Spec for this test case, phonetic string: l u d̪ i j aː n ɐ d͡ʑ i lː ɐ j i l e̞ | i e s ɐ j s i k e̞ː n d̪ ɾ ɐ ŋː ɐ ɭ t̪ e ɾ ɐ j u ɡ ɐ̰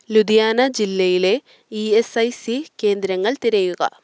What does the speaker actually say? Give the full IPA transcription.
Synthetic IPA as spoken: l u d̪ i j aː n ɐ d͡ʑ i lː ɐ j i l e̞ | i e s ɐ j s i k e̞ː n d̪ ɾ ɐ ŋː ɐ ɭ t̪ i ɾ ɐ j u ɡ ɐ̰